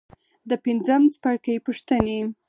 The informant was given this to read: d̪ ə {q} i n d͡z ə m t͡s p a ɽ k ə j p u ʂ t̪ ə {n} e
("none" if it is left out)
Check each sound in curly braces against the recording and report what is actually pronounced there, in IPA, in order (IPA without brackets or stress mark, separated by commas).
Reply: p, n